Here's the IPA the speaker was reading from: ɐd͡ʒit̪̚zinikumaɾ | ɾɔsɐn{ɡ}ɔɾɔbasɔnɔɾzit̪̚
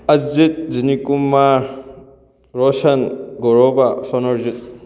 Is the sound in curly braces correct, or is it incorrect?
correct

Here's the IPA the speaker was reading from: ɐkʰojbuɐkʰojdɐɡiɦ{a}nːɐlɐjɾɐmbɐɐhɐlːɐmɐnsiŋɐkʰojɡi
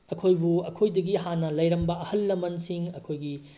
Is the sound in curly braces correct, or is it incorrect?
correct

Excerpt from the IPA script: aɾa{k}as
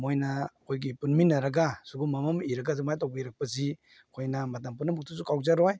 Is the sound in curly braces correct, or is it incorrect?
incorrect: ɡ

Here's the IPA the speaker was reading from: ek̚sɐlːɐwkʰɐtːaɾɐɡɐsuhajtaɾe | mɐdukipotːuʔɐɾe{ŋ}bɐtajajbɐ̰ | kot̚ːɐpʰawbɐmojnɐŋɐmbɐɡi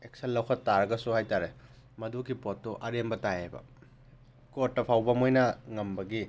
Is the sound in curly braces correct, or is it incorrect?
incorrect: m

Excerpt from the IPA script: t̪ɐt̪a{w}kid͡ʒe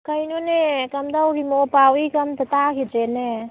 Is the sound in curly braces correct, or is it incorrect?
incorrect: none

